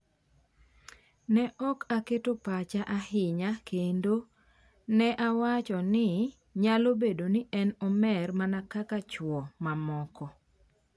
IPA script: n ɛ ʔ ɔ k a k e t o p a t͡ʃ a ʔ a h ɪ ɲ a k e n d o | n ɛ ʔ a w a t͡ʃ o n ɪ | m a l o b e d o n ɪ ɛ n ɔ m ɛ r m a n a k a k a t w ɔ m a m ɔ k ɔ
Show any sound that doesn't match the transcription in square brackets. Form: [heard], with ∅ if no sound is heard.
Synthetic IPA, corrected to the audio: n ɛ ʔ ɔ k a k e t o p a t͡ʃ a ʔ a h ɪ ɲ a k e n d o | n ɛ ʔ a w a t͡ʃ [ɔ] n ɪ | [ɲ] a l o b e d o n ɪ ɛ n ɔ m ɛ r m a n a k a k a [t͡ʃ] w ɔ m a m ɔ k ɔ